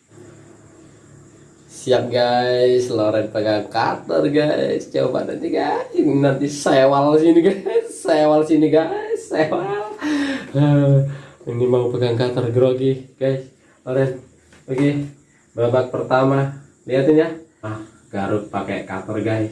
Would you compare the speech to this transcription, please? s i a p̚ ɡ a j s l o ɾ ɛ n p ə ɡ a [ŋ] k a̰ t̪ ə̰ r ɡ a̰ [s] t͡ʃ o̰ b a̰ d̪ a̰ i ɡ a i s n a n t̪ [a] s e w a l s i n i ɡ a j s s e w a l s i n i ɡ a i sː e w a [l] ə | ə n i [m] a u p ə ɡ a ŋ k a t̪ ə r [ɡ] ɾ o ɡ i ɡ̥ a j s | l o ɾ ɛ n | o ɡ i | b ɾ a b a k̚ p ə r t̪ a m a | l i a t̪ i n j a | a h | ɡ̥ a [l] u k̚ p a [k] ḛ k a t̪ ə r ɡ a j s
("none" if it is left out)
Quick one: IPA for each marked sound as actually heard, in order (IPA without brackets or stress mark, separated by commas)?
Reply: ŋ, s, i, l, m, ɡ, ɾ, k